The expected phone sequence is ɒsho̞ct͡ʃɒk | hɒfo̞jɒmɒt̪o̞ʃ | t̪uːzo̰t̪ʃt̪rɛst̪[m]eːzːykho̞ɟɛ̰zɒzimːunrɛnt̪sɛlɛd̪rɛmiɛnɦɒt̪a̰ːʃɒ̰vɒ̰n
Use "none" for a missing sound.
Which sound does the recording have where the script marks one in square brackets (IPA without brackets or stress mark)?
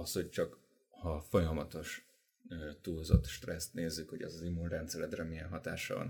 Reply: n